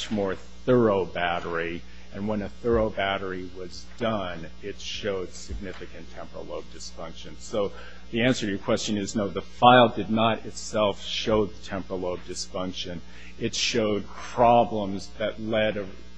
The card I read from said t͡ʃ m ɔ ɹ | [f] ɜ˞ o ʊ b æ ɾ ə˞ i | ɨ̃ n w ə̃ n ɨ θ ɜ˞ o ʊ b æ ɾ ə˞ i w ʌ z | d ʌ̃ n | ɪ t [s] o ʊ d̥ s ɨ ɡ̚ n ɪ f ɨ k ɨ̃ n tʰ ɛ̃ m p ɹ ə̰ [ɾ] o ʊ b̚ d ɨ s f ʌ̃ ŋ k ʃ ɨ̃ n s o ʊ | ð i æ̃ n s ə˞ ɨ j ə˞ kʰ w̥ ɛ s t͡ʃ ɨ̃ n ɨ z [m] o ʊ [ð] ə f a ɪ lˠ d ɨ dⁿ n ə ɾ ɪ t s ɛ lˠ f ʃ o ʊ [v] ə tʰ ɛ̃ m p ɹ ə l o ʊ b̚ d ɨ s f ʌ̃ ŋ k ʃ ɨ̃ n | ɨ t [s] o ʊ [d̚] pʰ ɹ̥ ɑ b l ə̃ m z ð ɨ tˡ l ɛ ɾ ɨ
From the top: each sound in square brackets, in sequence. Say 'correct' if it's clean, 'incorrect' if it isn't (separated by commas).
incorrect, incorrect, incorrect, incorrect, correct, incorrect, incorrect, correct